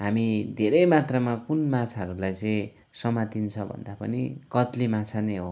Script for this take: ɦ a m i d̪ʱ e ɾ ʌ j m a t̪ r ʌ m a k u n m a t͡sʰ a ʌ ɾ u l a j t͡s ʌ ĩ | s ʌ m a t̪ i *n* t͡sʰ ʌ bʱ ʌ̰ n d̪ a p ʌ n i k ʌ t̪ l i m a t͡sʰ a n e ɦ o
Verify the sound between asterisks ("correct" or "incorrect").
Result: correct